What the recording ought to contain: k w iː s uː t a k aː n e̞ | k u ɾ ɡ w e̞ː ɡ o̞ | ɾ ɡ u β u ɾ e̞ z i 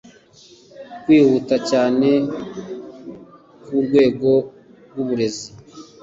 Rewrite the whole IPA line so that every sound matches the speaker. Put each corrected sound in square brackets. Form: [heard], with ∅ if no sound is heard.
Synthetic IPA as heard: k w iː [h] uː t a [c] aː n e̞ | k u ɾ ɡ w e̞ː ɡ o̞ | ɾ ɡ u β u ɾ e̞ z i